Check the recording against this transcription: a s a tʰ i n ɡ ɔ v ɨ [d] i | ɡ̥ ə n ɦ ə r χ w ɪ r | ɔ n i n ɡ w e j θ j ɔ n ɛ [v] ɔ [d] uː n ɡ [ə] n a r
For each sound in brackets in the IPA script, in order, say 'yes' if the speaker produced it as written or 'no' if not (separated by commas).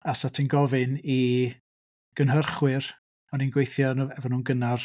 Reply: no, yes, no, yes